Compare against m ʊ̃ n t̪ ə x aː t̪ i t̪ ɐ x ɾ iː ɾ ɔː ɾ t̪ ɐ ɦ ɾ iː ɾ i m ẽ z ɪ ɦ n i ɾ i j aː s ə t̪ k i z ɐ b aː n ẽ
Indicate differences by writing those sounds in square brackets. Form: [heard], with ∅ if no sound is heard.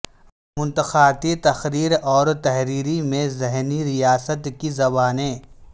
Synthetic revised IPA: m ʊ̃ n t̪ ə x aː t̪ i t̪ ɐ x ɾ iː ɾ ɔː ɾ t̪ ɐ ɦ ɾ iː ɾ i m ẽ z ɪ ɦ n i ɾ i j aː s ə t̪ k i z ɐ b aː n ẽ